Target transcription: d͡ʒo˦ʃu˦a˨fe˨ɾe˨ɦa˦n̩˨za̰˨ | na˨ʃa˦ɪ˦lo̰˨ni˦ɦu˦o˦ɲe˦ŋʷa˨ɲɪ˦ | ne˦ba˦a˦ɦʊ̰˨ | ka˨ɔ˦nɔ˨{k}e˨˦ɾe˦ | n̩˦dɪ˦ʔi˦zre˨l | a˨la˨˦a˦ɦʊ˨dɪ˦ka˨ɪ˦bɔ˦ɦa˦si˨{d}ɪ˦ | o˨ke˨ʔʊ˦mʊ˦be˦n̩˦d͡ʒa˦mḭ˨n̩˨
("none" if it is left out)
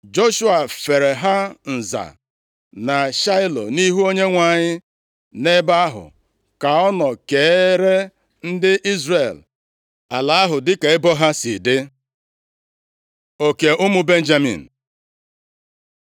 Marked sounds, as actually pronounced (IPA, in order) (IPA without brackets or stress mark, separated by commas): k, d